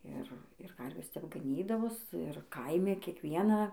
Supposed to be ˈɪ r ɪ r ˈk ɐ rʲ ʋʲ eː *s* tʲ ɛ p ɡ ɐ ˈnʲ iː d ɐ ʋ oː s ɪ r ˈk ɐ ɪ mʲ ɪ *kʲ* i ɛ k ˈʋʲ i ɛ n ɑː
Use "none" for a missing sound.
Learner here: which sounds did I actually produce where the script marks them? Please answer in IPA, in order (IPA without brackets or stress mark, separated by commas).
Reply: s, kʲ